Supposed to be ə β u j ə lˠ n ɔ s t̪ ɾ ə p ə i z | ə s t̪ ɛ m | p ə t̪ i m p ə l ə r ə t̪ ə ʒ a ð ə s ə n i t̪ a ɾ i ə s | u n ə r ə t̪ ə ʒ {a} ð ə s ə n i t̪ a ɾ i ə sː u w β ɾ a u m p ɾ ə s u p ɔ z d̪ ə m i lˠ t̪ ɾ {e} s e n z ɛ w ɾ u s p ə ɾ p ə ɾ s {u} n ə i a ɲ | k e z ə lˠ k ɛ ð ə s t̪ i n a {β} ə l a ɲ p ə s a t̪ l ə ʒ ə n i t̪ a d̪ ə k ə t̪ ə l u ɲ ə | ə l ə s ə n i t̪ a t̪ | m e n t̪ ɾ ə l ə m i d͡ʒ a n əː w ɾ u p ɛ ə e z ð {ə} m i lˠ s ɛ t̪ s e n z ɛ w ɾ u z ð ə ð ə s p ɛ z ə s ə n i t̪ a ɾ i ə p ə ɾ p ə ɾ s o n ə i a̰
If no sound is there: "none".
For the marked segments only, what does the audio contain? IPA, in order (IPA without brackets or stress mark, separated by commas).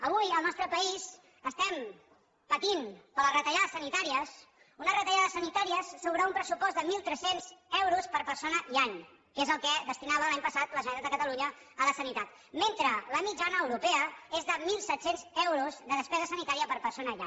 a, ɛ, o, β, ə